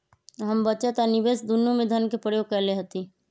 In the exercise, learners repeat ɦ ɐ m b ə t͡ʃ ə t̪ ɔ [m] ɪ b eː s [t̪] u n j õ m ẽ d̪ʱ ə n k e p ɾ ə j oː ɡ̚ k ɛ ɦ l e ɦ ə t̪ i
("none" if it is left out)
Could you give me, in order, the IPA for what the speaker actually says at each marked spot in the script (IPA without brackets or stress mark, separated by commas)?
n, d̪